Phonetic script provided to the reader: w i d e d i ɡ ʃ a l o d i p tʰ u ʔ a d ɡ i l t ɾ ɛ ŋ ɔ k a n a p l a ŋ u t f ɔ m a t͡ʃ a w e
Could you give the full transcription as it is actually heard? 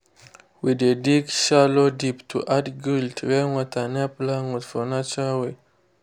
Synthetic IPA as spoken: w i d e d i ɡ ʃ a l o d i p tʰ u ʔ a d ɡ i l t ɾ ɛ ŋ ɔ t a n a p l a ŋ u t f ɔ n a t͡ʃ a w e

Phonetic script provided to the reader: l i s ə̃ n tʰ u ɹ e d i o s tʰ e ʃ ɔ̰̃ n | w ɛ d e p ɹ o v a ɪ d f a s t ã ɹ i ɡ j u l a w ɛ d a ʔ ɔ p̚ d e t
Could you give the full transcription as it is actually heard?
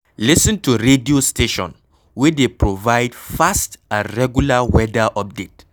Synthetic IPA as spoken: l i s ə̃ n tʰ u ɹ e d i o s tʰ e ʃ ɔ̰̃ n | w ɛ d e p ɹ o v a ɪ d f a s t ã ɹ ɛ ɡ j u l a w ɛ d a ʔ ɔ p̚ d e t

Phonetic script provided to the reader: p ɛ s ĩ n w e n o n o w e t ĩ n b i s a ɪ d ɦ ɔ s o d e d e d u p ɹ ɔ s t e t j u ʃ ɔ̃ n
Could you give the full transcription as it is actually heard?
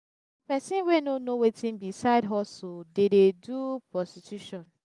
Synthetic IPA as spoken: p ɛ s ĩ n w e n o n o w e t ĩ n b i s a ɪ d ɦ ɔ s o d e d e d u p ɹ ɔ s t i t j u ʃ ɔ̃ n

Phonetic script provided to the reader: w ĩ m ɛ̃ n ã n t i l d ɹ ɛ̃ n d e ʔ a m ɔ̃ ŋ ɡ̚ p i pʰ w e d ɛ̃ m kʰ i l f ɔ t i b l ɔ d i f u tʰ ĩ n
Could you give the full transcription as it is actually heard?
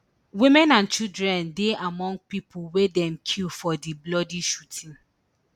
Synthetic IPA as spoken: w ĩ m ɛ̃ n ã n t͡ʃ i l d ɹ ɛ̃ n d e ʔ a m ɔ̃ ŋ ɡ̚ p i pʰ w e d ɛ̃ m kʰ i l f ɔ d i b l ɔ d i ʃ u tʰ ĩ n

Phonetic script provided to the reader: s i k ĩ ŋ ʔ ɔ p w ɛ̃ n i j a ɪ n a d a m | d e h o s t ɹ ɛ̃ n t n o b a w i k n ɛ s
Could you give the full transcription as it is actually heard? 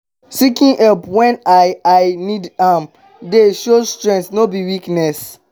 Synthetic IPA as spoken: s i k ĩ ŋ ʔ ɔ p w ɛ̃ n a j a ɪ n i d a m | d e ʃ o s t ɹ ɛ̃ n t n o b i w i k n ɛ s

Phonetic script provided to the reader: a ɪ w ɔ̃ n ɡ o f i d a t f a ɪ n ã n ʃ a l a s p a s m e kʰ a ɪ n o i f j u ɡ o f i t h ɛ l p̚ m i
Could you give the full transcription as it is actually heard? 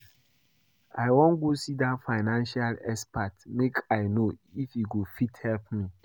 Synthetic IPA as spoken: a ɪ w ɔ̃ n ɡ o s i d a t f a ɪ n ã n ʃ a l ɛ s p a t m e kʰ a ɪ n o i f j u ɡ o f i t h ɛ l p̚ m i

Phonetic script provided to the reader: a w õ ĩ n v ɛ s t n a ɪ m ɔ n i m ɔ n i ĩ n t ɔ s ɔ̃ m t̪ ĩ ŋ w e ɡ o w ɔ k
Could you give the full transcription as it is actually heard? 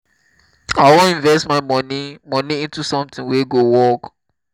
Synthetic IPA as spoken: a w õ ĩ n v ɛ s t m a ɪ m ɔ n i m ɔ n i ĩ n t u s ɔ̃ m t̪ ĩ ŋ w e ɡ o w ɔ k

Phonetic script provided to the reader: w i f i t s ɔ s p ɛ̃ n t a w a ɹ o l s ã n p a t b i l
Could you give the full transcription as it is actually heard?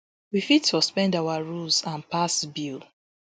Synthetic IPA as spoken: w i f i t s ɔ s p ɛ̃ n d a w a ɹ u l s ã n p a s b i l

